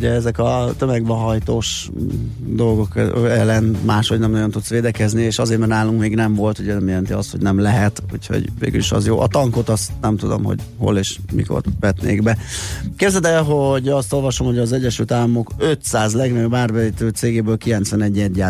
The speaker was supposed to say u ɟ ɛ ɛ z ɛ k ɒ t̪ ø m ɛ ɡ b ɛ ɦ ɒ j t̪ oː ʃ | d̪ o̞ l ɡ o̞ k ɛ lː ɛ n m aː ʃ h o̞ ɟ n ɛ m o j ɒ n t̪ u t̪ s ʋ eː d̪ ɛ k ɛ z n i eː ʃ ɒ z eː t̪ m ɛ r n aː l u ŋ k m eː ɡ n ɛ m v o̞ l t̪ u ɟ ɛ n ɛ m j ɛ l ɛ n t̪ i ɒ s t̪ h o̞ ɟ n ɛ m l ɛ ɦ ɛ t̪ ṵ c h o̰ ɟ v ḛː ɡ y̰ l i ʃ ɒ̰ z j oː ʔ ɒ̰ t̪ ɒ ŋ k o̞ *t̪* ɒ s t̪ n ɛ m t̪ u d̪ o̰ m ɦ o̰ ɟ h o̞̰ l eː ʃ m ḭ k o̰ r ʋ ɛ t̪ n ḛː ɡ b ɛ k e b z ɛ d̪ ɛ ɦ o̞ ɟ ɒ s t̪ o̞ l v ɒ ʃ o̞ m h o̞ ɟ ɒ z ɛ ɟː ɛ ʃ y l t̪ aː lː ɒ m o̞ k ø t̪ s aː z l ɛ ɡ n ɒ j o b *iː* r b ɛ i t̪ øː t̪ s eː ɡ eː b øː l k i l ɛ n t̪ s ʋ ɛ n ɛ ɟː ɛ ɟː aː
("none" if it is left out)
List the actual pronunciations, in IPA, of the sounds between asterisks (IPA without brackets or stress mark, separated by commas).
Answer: t̪, aː